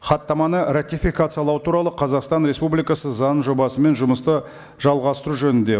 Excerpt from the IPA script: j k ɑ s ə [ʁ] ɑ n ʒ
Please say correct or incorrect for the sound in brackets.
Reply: incorrect